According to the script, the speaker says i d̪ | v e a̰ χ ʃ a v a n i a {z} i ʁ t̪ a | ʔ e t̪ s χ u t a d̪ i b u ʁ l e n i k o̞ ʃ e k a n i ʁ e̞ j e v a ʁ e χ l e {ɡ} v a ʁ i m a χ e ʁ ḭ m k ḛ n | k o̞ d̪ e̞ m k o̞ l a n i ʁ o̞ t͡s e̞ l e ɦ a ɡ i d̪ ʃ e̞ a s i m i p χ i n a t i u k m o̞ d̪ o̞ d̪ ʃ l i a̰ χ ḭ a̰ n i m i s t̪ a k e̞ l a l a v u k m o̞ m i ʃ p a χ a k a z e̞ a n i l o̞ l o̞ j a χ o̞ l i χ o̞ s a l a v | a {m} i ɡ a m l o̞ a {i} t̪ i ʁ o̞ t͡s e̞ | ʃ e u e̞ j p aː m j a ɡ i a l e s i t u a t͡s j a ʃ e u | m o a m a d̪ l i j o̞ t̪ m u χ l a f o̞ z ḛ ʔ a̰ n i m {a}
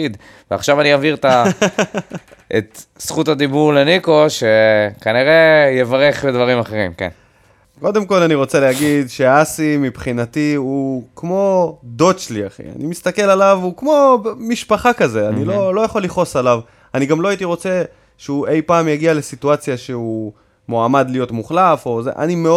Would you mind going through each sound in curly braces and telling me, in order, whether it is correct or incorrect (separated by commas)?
incorrect, incorrect, incorrect, correct, incorrect